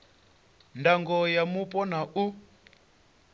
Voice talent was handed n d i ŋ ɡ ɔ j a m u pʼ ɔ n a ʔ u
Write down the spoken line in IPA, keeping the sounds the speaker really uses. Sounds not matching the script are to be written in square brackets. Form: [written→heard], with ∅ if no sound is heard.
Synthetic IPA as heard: n d [i→a] ŋ ɡ ɔ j a m u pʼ ɔ n a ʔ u